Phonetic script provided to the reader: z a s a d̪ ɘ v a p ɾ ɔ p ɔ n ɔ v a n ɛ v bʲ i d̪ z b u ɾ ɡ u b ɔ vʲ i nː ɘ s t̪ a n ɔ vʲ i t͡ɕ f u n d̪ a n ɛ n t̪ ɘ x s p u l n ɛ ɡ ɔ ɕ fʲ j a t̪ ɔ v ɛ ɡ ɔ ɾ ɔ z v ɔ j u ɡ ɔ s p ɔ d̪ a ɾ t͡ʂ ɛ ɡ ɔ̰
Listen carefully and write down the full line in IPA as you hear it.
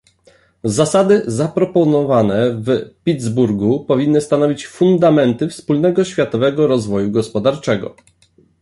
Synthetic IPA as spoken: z a s a d̪ ɘ z a p ɾ ɔ p ɔ n ɔ v a n ɛ v pʲ i d̪ z b u ɾ ɡ u p ɔ vʲ i nː ɘ s t̪ a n ɔ vʲ i t͡ɕ f u n d̪ a m ɛ n t̪ ɘ f s p u l n ɛ ɡ ɔ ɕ fʲ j a t̪ ɔ v ɛ ɡ ɔ ɾ ɔ z v ɔ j u ɡ ɔ s p ɔ d̪ a ɾ t͡ʂ ɛ ɡ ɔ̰

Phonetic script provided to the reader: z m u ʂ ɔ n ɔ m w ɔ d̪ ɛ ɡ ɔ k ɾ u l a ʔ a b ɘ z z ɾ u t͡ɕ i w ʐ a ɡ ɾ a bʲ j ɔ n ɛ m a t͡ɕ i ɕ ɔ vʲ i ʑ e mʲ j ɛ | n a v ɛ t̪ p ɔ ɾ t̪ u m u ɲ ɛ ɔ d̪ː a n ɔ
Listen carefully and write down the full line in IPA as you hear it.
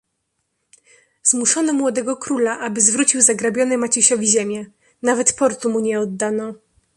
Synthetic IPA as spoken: z m u ʂ ɔ n ɔ m w ɔ d̪ ɛ ɡ ɔ k ɾ u l a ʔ a b ɘ z v ɾ u t͡ɕ i w z a ɡ ɾ a bʲ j ɔ n ɛ m a t͡ɕ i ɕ ɔ vʲ i ʑ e mʲ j ɛ | n a v ɛ t̪ p ɔ ɾ t̪ u m u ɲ ɛ ɔ d̪ː a n ɔ

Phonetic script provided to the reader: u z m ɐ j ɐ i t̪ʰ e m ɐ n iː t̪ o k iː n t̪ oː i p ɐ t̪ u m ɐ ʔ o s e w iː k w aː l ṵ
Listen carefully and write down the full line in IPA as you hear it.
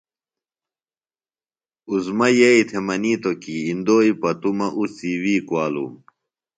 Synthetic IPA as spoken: u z m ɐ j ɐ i t̪ʰ e m ɐ n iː t̪ o k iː n d̪ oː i p ɐ t̪ u m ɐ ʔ u s i w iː k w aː l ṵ

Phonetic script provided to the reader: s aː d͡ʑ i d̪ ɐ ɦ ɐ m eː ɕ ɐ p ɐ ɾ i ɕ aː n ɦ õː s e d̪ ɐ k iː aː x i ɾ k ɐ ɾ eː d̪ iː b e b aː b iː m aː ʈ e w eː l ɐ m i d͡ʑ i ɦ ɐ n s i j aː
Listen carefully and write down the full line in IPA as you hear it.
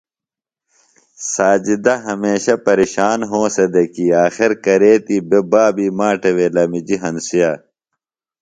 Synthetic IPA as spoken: s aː d͡ʑ i d̪ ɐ ɦ ɐ m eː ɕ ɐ p ɐ ɾ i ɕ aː n ɦ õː s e d̪ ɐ k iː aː x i ɾ k ɐ ɾ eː t̪ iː b e b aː b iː m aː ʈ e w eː l ɐ m i d͡ʑ i ɦ ɐ n s i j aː

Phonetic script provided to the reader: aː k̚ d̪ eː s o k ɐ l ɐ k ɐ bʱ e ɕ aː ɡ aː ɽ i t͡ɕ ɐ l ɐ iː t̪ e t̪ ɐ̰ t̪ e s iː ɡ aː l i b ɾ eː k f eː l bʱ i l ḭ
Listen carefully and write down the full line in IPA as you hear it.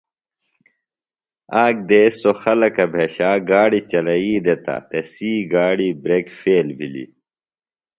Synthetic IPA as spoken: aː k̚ d̪ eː s o x ɐ l ɐ k ɐ bʱ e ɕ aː ɡ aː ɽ i t͡ɕ ɐ l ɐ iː d̪ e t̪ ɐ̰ t̪ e s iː ɡ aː ɽ i b ɾ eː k f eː l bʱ i l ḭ

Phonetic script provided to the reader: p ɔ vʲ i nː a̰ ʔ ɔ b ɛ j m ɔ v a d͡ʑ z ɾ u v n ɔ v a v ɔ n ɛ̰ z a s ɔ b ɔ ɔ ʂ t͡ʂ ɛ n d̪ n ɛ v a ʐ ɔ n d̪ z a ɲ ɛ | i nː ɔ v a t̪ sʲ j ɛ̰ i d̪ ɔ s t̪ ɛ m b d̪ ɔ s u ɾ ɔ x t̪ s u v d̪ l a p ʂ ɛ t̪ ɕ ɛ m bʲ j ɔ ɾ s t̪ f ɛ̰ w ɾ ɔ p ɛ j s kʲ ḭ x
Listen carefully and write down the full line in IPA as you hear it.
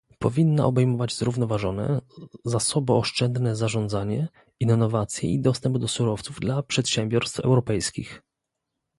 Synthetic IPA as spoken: p ɔ vʲ i nː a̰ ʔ ɔ b ɛ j m ɔ v a d͡ʑ z ɾ u v n ɔ v a ʐ ɔ n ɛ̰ z a s ɔ b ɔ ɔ ʂ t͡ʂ ɛ n d̪ n ɛ z a ʐ ɔ n d̪ z a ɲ ɛ | i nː ɔ v a t̪ sʲ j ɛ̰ i d̪ ɔ s t̪ ɛ m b d̪ ɔ s u ɾ ɔ f t̪ s u v d̪ l a p ʂ ɛ t̪ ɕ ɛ m bʲ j ɔ ɾ s t̪ f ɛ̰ w ɾ ɔ p ɛ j s kʲ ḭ x

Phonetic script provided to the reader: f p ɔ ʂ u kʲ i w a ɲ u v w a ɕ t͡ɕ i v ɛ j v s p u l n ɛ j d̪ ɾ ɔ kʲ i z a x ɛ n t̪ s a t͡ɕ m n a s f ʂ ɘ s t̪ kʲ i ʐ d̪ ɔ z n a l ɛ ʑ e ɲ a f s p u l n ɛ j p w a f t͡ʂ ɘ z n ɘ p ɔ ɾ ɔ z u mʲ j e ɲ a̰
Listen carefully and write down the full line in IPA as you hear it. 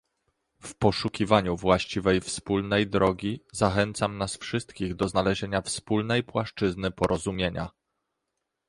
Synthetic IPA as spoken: f p ɔ ʂ u kʲ i v a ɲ u v w a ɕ t͡ɕ i v ɛ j f s p u l n ɛ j d̪ ɾ ɔ ɡʲ i z a x ɛ n t̪ s a m n a s f ʂ ɘ s t̪ kʲ i ɣ d̪ ɔ z n a l ɛ ʑ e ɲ a f s p u l n ɛ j p w a ʂ t͡ʂ ɘ z n ɘ p ɔ ɾ ɔ z u mʲ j e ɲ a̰

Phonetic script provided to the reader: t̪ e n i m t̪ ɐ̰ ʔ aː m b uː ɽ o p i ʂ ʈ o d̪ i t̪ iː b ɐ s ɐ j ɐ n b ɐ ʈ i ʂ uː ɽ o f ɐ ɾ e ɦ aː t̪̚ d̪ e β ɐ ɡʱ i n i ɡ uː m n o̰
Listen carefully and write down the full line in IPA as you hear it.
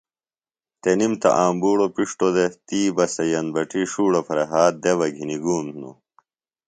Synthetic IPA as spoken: t̪ e n i m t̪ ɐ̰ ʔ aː m b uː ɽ o p i ʂ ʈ o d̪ e t̪ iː b ɐ s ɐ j ɐ n b ɐ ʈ i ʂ uː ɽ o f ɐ ɾ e ɦ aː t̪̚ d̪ e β ɐ ɡʱ i n i ɡ uː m n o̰

